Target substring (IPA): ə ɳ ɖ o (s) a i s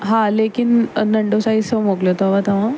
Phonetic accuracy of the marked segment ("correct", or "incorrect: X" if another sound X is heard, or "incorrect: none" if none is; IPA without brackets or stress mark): correct